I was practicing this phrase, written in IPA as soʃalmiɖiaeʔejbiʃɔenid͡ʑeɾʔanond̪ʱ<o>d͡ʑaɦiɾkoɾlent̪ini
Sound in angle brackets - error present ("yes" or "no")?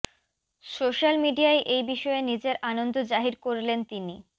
no